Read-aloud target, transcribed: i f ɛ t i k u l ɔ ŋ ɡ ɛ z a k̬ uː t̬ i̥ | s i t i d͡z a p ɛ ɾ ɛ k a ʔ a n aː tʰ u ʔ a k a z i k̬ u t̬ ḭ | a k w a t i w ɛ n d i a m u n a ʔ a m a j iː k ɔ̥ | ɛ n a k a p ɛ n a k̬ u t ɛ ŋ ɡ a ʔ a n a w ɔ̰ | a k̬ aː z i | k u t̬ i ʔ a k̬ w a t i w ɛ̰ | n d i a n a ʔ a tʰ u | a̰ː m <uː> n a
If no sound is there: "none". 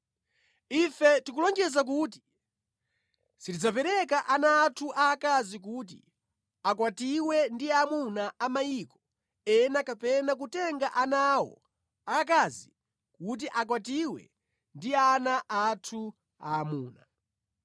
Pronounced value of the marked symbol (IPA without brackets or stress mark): uː